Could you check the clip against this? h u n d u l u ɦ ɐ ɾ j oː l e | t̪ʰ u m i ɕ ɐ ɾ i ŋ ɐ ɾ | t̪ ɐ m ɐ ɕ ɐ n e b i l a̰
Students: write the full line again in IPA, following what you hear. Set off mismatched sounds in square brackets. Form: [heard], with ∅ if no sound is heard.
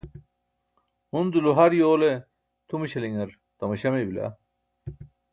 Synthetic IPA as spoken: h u n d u l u ɦ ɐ ɾ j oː l e | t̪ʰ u m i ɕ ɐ [l] i ŋ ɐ ɾ | t̪ ɐ m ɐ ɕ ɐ [m] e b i l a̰

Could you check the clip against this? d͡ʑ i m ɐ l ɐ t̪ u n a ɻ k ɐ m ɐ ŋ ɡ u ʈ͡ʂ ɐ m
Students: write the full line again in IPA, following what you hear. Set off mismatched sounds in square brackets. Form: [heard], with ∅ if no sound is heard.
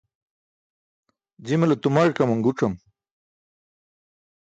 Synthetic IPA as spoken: d͡ʑ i m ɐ l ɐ t̪ u [m] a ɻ k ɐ m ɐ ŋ ɡ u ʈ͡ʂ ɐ m

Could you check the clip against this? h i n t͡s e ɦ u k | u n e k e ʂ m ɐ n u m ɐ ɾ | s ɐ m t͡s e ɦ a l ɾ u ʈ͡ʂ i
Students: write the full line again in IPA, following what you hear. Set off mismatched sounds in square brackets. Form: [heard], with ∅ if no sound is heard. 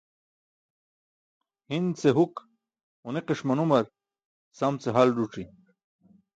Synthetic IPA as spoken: h i n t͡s e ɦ u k | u n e [q] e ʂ m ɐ n u m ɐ ɾ | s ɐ m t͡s e ɦ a l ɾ u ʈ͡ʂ i

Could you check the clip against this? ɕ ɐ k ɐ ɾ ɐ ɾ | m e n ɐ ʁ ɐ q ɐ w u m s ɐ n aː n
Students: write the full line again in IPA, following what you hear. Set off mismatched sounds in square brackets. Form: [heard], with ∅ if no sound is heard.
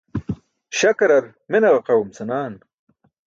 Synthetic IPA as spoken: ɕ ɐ k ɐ ɾ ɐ ɾ | m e n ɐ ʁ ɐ q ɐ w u m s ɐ n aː n

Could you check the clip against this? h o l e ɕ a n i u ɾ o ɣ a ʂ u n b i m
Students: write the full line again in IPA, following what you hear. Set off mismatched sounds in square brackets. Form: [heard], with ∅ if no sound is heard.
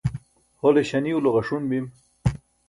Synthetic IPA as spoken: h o l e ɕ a n i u [l] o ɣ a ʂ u n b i m

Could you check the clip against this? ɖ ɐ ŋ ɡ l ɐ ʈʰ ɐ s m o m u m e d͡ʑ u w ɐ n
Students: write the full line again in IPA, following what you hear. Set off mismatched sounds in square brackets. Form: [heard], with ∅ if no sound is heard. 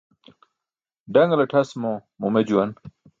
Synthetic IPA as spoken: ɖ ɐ ŋ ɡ l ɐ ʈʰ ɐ s m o m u m e d͡ʑ u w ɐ n

